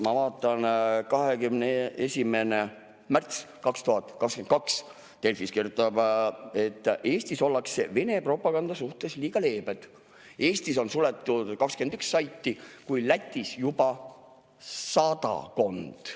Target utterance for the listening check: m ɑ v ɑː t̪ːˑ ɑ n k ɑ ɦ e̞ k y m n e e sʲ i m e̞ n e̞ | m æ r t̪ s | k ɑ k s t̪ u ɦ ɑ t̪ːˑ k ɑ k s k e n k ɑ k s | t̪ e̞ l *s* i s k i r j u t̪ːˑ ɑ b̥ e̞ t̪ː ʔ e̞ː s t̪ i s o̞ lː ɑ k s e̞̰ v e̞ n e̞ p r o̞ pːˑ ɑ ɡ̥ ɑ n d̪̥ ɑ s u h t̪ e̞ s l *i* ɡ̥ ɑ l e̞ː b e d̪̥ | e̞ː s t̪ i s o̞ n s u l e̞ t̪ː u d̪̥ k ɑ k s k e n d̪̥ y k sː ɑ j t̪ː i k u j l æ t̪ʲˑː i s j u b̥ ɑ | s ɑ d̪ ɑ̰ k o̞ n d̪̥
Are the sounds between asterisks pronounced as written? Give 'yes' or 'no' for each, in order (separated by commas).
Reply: no, no